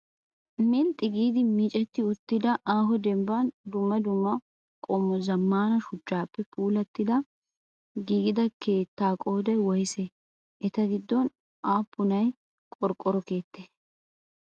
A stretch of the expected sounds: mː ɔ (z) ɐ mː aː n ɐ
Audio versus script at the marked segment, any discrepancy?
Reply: no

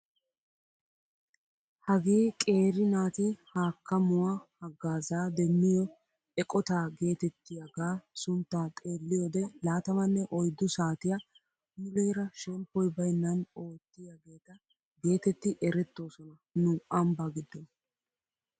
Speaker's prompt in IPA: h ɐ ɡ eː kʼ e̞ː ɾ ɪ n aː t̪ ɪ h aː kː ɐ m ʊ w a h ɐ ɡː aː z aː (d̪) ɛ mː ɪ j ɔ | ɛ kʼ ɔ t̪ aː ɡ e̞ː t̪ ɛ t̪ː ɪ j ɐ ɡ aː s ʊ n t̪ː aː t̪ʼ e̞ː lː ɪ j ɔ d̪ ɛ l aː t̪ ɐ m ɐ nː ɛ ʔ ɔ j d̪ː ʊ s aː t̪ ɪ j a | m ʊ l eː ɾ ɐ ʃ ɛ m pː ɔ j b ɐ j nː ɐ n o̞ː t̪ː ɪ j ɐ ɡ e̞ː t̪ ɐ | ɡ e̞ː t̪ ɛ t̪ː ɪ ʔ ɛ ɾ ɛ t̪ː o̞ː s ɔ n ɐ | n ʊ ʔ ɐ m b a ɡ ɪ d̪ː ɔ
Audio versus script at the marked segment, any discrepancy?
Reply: no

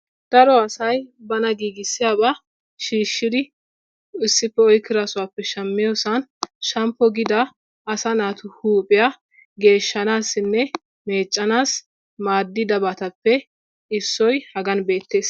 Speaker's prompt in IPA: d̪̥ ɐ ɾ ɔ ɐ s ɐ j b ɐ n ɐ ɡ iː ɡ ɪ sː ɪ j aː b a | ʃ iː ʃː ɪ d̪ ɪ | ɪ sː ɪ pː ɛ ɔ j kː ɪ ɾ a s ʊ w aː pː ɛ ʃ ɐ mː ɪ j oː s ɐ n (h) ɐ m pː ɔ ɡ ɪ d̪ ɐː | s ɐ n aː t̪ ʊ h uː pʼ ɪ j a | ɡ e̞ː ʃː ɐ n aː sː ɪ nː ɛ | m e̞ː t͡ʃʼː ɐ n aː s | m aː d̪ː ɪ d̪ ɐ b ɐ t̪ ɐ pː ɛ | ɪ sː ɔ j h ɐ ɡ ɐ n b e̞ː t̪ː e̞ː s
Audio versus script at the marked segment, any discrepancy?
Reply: yes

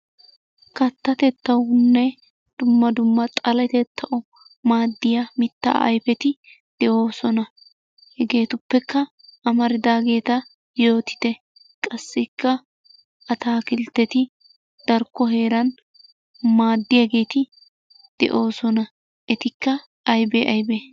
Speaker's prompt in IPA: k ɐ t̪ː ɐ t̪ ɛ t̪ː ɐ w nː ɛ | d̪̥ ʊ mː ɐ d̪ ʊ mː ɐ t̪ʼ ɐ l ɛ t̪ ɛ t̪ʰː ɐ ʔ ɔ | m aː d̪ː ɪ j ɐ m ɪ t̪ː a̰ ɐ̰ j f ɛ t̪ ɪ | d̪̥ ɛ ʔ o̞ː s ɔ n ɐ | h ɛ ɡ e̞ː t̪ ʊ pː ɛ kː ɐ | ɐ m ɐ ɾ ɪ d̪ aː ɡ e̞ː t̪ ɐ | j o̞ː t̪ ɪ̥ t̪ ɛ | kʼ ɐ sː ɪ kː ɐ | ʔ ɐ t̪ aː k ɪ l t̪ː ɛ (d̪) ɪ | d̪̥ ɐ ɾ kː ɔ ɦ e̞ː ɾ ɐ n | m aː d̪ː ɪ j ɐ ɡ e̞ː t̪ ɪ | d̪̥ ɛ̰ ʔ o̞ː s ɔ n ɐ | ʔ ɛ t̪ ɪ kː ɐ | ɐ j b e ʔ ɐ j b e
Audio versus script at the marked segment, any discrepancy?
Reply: yes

